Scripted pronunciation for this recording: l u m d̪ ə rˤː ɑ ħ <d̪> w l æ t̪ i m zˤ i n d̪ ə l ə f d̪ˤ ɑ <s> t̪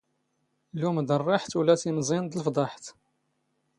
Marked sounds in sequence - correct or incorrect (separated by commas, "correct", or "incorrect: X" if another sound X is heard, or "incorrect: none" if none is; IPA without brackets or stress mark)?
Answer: incorrect: t̪, incorrect: ħ